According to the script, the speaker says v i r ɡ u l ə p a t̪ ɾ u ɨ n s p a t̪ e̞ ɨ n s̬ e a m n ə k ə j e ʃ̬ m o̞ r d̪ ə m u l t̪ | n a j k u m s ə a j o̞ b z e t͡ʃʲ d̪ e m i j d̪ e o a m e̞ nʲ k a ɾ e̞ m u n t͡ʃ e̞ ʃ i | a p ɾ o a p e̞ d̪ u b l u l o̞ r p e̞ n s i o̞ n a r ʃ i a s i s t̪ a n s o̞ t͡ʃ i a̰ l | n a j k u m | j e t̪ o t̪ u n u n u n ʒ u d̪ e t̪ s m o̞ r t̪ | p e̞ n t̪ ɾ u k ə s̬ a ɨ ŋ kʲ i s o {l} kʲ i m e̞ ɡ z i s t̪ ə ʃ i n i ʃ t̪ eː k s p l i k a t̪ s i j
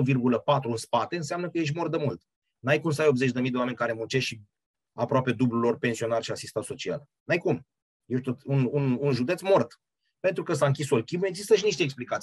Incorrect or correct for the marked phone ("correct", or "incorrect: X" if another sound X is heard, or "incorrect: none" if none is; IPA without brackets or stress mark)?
correct